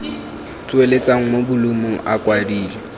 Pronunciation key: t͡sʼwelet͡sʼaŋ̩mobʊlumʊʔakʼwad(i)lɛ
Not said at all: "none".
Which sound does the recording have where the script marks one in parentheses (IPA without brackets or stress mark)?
iː